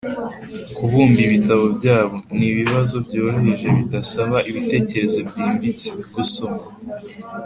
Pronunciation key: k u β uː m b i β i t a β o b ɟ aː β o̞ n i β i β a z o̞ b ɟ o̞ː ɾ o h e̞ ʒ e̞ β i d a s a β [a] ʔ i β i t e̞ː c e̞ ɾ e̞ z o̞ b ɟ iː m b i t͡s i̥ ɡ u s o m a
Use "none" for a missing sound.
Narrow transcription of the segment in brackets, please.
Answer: a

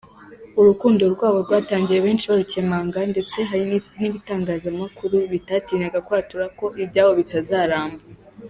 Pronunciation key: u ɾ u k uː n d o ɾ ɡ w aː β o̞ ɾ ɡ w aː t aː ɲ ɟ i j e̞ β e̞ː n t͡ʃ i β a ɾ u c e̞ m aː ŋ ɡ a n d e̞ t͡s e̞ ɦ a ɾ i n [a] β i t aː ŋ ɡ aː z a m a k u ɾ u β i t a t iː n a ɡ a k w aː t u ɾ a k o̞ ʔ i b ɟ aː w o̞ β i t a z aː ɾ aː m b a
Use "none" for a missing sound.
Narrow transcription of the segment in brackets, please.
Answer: i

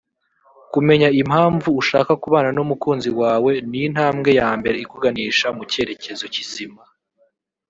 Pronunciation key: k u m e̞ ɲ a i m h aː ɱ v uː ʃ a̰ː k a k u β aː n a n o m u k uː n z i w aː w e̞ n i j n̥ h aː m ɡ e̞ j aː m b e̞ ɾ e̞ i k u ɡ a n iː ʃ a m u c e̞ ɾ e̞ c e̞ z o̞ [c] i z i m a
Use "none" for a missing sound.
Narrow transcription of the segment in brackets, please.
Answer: c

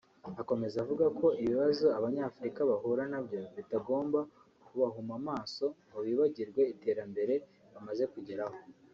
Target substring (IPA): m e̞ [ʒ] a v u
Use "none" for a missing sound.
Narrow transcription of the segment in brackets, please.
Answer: z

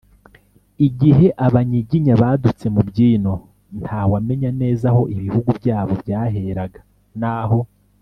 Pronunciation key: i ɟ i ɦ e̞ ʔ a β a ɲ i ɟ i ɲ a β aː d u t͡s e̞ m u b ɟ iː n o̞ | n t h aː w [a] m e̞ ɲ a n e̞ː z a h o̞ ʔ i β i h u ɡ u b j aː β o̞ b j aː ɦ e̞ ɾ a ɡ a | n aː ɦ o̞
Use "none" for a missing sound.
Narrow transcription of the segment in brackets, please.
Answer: a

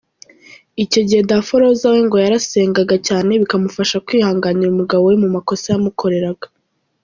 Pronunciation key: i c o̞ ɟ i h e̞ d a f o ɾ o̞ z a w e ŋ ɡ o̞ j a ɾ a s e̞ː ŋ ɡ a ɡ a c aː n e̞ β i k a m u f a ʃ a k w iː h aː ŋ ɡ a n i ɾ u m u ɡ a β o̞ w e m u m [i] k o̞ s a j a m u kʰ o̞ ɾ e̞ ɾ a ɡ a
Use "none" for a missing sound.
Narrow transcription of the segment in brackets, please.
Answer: a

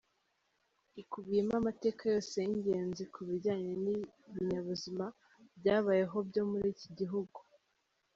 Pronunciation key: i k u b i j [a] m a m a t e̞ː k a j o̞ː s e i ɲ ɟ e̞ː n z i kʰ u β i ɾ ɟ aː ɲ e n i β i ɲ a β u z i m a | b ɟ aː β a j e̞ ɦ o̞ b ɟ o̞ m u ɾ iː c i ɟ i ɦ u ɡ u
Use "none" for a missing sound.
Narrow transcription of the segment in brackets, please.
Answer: e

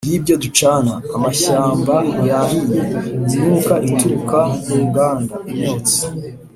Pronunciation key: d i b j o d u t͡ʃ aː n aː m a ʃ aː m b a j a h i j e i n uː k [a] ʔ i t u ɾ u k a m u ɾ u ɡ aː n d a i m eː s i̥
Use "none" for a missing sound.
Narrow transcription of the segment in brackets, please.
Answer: a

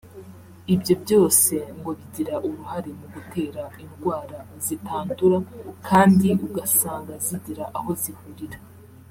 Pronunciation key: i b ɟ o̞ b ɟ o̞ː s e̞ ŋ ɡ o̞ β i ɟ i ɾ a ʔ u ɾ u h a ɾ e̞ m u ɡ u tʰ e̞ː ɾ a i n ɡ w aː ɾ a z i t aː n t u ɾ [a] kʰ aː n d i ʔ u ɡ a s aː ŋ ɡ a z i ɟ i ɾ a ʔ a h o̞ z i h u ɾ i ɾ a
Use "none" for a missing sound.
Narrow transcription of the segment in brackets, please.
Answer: a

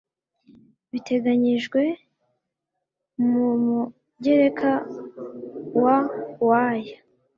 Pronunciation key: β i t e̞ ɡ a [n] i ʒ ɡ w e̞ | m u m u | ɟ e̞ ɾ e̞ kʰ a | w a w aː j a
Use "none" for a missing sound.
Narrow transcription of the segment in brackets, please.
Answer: ɲ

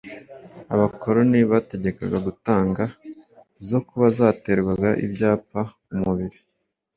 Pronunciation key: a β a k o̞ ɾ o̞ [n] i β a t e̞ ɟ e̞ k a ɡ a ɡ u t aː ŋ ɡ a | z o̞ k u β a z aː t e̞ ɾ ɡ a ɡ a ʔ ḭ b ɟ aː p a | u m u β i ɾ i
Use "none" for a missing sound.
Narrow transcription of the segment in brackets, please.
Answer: n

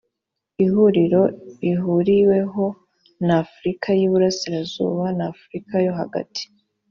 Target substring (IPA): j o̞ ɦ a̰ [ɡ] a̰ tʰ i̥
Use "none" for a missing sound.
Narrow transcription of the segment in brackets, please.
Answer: ɡ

